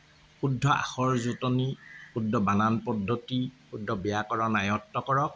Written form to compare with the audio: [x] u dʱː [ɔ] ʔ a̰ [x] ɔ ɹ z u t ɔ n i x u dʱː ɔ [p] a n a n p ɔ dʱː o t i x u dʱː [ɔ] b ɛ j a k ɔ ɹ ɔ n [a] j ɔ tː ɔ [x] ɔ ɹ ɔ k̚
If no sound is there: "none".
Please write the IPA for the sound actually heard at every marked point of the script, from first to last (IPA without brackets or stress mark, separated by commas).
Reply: x, ɔ, x, b, ɔ, a, k